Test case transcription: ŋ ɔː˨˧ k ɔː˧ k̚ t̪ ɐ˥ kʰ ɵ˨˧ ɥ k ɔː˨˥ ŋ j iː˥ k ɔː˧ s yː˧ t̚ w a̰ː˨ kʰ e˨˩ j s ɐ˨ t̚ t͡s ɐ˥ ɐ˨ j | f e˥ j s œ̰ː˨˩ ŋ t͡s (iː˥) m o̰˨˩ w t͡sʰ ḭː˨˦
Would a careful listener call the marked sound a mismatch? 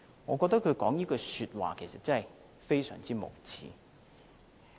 no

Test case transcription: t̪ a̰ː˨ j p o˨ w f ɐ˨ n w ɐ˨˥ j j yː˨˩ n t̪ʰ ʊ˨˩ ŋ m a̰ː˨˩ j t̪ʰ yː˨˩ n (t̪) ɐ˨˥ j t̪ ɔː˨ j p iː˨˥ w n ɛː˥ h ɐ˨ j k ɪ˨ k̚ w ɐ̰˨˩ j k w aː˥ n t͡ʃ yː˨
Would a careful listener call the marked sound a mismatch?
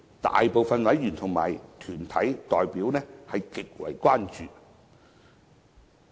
yes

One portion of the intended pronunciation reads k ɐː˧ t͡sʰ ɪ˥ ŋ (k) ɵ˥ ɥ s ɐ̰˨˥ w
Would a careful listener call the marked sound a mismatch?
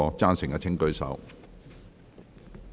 no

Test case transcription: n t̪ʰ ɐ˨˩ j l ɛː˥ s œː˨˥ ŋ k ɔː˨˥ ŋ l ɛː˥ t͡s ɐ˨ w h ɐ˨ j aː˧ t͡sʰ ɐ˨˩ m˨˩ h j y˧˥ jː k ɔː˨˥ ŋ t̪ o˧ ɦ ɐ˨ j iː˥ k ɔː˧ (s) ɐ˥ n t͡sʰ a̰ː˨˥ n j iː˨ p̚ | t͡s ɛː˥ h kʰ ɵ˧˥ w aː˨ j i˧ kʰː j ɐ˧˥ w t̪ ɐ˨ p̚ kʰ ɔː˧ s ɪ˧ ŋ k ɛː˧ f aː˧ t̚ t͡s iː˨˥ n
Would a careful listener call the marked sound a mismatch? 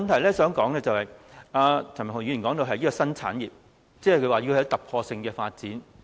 no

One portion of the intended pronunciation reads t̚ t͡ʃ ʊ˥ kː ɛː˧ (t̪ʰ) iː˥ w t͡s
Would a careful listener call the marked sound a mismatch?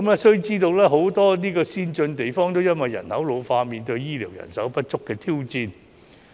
no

